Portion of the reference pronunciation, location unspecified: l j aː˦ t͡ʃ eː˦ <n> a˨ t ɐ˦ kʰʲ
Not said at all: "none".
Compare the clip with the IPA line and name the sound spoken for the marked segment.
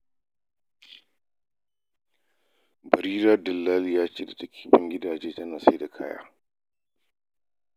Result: d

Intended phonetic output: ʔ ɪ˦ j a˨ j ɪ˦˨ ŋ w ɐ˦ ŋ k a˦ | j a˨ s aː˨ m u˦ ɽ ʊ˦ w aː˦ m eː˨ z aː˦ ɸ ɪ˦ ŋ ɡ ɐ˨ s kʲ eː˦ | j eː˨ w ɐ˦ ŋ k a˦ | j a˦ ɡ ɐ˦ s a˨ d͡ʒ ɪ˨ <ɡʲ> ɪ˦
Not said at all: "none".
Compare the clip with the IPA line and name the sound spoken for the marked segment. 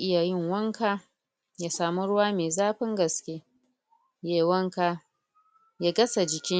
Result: kʲ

